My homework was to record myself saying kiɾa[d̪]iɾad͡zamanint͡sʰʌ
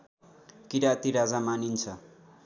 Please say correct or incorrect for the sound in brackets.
incorrect